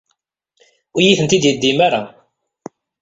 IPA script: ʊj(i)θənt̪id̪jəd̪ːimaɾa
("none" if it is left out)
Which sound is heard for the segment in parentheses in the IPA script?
i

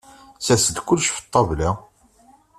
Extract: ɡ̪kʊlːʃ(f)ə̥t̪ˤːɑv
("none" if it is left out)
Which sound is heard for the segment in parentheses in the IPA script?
f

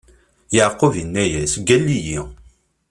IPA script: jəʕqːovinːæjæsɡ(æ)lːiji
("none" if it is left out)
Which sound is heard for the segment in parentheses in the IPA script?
æ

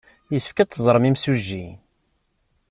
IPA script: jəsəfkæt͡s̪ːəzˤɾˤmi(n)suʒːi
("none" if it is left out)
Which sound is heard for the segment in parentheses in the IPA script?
m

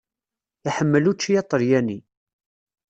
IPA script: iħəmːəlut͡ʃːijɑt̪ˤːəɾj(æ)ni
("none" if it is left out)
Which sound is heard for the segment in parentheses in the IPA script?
æ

